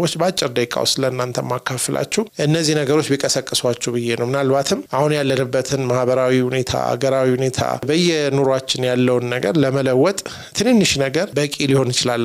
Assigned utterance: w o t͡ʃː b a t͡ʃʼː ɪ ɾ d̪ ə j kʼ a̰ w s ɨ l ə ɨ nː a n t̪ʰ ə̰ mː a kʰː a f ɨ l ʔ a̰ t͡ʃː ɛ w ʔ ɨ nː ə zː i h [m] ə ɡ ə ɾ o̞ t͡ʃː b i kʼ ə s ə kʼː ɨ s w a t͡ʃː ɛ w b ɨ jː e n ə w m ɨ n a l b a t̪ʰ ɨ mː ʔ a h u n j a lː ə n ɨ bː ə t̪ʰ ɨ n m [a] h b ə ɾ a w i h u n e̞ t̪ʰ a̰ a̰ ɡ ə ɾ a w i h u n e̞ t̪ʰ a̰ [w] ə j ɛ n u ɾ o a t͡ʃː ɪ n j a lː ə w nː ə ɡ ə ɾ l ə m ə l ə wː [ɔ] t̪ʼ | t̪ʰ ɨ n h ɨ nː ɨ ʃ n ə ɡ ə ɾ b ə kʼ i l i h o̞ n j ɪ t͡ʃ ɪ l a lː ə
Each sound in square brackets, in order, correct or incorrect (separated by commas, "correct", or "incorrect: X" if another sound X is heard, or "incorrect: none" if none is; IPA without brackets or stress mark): incorrect: n, correct, incorrect: b, correct